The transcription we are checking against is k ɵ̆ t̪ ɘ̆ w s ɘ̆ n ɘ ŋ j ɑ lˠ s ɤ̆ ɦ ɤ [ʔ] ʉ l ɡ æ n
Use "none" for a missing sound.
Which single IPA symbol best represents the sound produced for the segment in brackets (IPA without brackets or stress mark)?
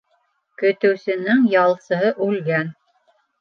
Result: ʔ